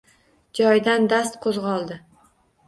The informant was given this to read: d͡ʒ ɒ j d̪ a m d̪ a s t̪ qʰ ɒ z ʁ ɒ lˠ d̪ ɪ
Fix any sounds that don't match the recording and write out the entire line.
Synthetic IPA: d͡ʒ ɒ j d̪ a n d̪ a s t̪ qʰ o z ʁ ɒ lˠ d̪ ɪ